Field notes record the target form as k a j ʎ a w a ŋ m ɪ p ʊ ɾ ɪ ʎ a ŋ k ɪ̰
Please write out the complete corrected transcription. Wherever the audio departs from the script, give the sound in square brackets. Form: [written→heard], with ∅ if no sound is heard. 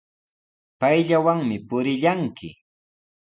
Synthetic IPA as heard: [k→p] a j ʎ a w a ŋ m ɪ p ʊ ɾ ɪ ʎ a ŋ k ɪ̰

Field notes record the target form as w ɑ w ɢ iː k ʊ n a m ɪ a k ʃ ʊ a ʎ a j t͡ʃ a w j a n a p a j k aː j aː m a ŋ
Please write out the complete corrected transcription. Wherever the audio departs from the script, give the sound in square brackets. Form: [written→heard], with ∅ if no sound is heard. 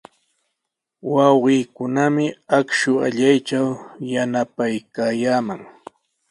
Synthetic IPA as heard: w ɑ w ɢ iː k ʊ n a m ɪ a k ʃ ʊ a ʎ a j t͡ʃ a w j a n a p a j k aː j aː m a ŋ

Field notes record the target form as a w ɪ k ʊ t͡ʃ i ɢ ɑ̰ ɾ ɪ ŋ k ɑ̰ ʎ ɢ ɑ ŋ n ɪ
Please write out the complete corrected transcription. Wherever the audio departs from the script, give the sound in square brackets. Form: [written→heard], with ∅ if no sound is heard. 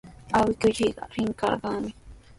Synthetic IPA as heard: a w ɪ k ʊ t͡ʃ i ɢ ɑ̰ ɾ ɪ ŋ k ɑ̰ [ʎ→ɾ] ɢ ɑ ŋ [n→m] ɪ

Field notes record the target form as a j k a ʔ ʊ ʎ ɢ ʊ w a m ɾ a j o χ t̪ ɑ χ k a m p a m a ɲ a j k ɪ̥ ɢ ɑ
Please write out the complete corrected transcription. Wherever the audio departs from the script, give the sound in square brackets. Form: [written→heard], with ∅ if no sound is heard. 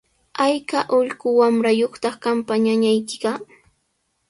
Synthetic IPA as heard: a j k a ʔ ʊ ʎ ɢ ʊ w a m ɾ a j o χ t̪ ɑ χ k a m p a [m→ɲ] a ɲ a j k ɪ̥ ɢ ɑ

